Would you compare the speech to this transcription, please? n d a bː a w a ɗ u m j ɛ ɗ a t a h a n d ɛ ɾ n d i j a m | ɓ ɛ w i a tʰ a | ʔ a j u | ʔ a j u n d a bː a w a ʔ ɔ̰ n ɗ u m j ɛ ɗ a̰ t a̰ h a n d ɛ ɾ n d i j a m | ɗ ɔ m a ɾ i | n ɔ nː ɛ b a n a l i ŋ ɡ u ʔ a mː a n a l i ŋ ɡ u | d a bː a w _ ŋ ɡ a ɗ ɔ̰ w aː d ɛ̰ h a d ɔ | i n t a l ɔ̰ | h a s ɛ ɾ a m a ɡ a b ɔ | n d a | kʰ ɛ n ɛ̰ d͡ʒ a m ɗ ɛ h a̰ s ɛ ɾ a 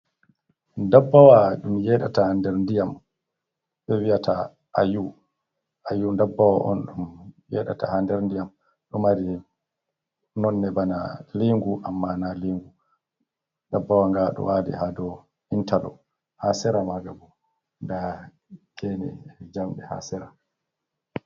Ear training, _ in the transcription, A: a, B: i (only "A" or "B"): A